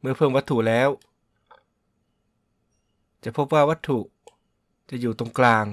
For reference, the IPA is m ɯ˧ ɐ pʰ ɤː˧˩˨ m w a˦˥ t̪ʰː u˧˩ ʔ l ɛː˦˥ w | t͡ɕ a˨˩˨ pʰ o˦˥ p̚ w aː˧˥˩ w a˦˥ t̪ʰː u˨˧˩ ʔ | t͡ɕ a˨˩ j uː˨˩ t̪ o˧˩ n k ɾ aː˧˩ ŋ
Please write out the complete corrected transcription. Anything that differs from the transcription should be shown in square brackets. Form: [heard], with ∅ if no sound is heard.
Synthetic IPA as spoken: m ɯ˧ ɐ pʰ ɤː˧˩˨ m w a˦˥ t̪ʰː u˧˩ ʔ l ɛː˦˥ w | t͡ɕ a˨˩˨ pʰ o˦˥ p̚ w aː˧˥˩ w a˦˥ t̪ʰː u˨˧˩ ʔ | t͡ɕ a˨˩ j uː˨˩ t̪ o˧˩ [ŋ] k [l] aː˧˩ ŋ